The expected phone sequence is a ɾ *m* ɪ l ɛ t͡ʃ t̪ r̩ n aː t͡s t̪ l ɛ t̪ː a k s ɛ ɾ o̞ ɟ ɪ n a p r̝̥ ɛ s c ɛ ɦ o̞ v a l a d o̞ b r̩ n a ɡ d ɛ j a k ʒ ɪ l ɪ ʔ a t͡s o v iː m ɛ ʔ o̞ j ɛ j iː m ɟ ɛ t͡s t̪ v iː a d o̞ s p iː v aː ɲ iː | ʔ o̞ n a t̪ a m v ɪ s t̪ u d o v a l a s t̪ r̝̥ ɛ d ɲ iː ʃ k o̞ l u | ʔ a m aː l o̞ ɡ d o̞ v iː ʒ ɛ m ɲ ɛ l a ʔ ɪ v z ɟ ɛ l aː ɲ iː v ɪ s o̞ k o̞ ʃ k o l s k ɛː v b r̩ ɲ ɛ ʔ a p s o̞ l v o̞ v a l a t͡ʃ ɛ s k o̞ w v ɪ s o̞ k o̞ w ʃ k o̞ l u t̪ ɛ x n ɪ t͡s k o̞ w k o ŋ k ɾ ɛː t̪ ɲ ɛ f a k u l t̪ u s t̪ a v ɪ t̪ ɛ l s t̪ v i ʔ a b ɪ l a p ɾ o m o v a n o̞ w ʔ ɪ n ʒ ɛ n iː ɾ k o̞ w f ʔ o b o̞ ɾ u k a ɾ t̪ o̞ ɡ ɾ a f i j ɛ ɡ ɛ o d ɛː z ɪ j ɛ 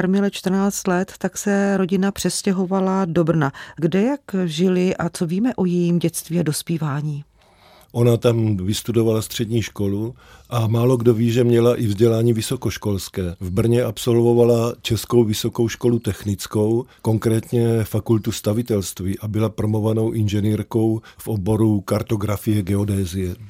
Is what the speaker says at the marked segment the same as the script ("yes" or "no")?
yes